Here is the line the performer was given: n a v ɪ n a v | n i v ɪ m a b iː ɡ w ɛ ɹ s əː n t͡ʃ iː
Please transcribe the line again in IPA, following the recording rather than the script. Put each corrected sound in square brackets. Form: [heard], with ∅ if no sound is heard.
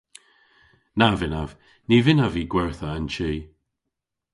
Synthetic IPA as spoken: n a v ɪ n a v | n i v ɪ [n] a [v] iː ɡ w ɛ ɹ [θ] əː n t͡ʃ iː